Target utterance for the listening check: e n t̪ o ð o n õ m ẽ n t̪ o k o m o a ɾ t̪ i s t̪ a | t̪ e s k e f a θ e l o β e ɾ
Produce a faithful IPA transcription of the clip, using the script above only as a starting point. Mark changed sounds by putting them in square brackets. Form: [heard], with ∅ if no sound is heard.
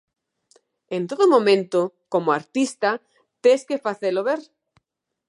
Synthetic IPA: e n t̪ o ð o [m] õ m ẽ n t̪ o k o m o a ɾ t̪ i s t̪ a | t̪ e s k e f a θ e l o β e ɾ